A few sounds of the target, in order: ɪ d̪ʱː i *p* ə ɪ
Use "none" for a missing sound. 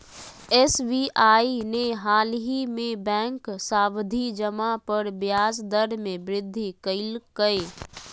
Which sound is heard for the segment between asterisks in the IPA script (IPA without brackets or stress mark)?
k